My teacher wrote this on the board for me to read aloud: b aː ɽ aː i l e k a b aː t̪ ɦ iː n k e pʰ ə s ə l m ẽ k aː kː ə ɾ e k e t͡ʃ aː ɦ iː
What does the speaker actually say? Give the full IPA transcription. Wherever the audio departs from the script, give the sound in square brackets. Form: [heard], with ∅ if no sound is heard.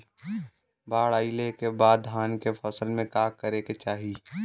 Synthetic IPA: b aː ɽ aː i l e k [e] b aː [d̪] ɦ [aː] n k e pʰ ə s ə l m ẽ k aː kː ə ɾ e k e t͡ʃ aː ɦ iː